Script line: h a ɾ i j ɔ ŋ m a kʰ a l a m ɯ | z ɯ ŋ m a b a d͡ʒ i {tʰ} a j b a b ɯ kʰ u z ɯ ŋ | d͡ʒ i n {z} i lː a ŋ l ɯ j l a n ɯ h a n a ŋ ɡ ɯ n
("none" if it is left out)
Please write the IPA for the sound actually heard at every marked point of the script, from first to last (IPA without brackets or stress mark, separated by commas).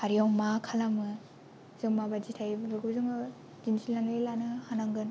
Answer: tʰ, s